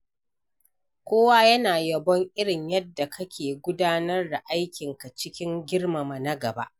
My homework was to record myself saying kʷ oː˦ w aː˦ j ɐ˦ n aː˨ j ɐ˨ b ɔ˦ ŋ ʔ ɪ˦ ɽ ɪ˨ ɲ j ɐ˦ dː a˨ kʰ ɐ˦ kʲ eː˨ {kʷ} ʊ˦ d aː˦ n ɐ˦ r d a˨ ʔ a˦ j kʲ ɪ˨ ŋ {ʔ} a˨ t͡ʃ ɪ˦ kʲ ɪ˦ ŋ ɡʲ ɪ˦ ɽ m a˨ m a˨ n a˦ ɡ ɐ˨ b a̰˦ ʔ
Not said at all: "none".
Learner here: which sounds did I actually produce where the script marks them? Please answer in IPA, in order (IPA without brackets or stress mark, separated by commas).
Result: ɡʷ, k